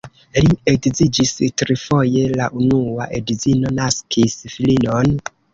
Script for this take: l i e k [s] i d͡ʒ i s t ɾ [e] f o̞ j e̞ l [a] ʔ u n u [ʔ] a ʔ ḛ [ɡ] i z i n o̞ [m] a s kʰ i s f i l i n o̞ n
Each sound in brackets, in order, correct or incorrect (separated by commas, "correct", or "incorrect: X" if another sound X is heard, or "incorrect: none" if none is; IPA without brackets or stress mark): incorrect: z, incorrect: i, correct, incorrect: none, incorrect: d, incorrect: n